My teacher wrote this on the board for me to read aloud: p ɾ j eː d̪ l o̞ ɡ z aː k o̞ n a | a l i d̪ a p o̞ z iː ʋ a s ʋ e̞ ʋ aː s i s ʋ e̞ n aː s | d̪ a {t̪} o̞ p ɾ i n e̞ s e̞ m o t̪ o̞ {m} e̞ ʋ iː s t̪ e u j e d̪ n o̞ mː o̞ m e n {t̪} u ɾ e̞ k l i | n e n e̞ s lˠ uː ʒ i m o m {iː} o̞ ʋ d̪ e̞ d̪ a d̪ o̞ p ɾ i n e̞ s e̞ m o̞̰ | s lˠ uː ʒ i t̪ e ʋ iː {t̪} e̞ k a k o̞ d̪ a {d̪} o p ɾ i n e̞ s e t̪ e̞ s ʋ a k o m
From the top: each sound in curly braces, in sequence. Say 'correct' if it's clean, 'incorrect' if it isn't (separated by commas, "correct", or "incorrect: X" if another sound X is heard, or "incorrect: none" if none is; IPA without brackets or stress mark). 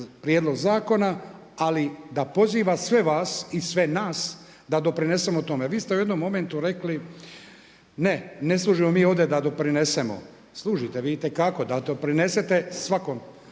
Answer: incorrect: d̪, correct, correct, correct, correct, correct